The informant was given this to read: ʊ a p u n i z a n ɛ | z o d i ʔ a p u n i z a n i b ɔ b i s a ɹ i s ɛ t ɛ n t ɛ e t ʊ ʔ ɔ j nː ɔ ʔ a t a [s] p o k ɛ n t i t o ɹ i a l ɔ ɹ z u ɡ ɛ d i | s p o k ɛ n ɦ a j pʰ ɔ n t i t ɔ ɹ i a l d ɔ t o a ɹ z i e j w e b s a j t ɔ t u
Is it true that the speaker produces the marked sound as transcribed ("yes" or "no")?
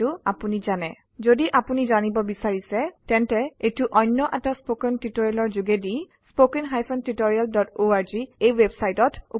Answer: yes